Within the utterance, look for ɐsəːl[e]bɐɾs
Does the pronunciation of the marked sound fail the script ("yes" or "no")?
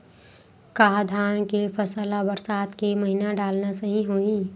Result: yes